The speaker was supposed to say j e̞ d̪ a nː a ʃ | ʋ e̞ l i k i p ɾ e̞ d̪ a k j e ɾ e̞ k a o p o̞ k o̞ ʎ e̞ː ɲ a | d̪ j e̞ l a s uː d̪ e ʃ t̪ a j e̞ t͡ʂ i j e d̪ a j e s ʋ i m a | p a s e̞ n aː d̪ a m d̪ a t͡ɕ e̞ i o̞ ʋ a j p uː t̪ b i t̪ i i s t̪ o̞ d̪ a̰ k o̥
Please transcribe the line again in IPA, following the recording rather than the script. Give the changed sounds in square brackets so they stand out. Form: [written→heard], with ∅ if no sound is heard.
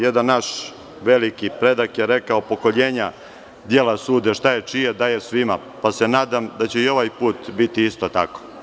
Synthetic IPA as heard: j e̞ d̪ a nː a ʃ | ʋ e̞ l i k i p ɾ e̞ d̪ a k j e ɾ e̞ k a o p o̞ k o̞ ʎ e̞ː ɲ a | d̪ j e̞ l a s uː d̪ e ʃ t̪ a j e̞ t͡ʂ i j e d̪ a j e s ʋ i m a | p a s e̞ n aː d̪ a m d̪ a t͡ɕ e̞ i o̞ ʋ a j p uː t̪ b i t̪ i i s t̪ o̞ [d̪→t̪] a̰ k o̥